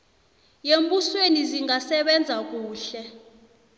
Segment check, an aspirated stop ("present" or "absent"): absent